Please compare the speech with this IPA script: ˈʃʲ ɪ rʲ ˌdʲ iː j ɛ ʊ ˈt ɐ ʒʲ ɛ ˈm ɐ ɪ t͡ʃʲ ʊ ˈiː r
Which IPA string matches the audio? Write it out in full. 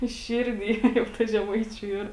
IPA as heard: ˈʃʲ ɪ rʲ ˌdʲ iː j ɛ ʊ ˈt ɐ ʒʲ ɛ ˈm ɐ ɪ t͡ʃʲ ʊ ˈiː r